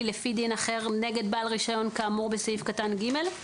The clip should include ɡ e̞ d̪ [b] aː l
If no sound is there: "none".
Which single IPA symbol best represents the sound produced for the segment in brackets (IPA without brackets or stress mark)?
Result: b